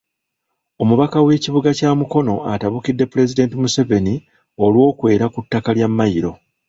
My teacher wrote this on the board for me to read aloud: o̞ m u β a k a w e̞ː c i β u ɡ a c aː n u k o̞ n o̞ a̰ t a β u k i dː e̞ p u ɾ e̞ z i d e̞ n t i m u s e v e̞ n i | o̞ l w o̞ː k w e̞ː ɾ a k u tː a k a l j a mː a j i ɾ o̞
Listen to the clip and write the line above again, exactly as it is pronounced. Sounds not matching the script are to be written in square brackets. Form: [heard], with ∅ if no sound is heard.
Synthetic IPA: o̞ m u β a k a w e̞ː c i β u ɡ a c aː [m] u k o̞ n o̞ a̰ t a β u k i dː e̞ p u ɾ e̞ z i d e̞ n t i m u s e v e̞ n i | o̞ l w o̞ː k w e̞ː ɾ a k u tː a k a l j a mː a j i ɾ o̞